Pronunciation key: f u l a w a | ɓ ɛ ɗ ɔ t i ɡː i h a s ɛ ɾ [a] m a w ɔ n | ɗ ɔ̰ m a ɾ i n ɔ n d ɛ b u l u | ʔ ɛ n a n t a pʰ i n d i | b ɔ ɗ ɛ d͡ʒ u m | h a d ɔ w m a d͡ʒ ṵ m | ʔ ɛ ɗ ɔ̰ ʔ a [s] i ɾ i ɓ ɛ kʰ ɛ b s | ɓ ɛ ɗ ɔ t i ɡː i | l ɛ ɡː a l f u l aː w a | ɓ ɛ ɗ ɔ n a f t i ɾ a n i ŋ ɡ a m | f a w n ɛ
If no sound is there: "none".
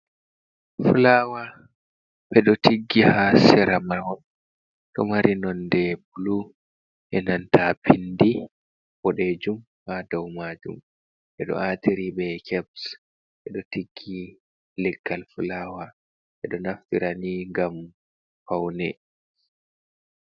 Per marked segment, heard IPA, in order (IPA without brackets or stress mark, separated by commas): a, t